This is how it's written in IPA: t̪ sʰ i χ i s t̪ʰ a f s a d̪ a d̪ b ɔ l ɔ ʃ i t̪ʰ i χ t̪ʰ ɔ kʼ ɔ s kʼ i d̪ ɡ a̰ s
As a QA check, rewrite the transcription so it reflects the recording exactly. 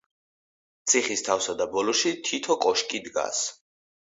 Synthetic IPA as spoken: t̪ sʰ i χ i s t̪ʰ a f s a d̪ a b ɔ l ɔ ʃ i t̪ʰ i t̪ʰ ɔ kʼ ɔ ʃ kʼ i d̪ ɡ a̰ s